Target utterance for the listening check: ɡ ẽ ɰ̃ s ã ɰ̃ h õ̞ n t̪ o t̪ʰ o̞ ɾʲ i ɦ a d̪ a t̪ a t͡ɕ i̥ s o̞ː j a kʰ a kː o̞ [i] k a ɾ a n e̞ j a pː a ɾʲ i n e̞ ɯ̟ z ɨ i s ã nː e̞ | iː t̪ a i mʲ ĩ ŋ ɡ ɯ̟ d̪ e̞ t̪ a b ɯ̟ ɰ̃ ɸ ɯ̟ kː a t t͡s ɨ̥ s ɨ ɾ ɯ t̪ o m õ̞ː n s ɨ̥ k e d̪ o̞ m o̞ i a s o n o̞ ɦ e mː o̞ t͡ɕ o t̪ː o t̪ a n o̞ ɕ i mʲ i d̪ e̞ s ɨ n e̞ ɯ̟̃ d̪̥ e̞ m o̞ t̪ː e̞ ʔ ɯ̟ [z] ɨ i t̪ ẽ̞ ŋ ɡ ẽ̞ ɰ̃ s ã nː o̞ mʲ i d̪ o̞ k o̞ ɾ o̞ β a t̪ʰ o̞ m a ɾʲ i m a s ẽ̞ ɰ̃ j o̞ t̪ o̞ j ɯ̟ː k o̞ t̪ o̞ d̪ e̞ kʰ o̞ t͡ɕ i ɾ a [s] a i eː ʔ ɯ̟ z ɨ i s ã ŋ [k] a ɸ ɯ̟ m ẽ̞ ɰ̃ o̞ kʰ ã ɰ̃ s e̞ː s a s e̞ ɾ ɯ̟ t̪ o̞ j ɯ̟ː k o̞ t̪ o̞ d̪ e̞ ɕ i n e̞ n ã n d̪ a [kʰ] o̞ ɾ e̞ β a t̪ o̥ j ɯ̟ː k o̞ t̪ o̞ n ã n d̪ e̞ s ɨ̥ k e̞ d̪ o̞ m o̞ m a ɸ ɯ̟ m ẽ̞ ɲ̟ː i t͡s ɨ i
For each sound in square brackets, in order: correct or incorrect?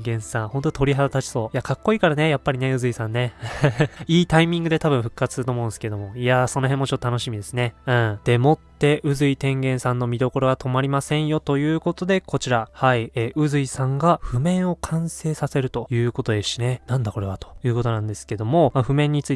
incorrect: iː, correct, incorrect: h, incorrect: ɡ, incorrect: k

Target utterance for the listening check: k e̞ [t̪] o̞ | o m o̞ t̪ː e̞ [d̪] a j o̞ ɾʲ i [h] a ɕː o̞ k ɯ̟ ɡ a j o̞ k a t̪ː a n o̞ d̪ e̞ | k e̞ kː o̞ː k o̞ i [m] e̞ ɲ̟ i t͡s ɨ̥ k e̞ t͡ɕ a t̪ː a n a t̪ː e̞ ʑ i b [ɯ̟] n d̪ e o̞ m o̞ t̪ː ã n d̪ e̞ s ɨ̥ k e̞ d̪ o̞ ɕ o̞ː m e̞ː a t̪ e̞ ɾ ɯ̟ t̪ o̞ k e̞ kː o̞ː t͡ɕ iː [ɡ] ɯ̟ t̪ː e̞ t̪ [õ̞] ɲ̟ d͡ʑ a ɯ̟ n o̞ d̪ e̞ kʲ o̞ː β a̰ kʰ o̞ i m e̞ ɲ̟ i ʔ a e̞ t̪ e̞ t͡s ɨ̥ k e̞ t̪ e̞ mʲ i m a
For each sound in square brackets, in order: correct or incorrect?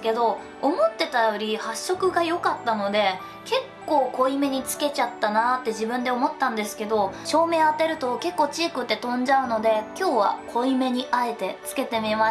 incorrect: d̪, incorrect: t̪, correct, correct, incorrect: ɯ̟̃, incorrect: k, correct

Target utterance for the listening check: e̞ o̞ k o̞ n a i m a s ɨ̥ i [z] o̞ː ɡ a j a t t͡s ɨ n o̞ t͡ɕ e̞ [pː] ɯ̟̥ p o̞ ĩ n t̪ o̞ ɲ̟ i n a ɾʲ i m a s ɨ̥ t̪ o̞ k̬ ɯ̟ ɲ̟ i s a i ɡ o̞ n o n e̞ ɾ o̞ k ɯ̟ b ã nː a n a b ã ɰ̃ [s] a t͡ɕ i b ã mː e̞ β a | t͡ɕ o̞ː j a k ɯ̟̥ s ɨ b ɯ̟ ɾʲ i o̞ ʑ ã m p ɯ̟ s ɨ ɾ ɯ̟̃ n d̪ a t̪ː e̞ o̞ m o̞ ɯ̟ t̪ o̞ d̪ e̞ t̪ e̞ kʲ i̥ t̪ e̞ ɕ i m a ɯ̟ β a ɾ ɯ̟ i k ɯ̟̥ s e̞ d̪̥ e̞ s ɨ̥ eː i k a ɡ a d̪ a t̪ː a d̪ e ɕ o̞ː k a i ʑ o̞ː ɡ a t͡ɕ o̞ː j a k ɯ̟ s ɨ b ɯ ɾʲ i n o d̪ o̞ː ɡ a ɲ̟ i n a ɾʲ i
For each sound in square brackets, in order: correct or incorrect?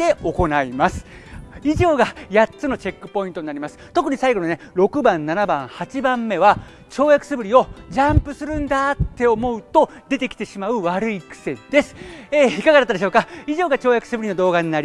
incorrect: ʑ, incorrect: kː, incorrect: h

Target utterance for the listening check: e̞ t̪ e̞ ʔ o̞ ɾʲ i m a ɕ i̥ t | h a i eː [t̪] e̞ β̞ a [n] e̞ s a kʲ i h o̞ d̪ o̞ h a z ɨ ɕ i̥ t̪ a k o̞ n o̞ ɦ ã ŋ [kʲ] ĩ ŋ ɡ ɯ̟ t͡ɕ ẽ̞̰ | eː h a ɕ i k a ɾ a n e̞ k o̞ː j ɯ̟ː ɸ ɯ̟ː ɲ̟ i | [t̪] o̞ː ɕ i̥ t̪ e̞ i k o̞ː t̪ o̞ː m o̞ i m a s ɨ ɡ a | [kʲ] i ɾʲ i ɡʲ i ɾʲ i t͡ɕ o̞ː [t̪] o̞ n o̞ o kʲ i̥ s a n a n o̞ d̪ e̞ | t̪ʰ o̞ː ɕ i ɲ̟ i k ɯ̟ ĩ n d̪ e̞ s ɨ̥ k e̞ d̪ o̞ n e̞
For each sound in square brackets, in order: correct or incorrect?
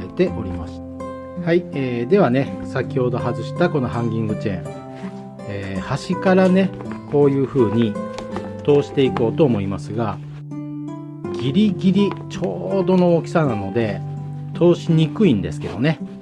incorrect: d̪, correct, incorrect: ɡʲ, correct, incorrect: ɡʲ, incorrect: d̪

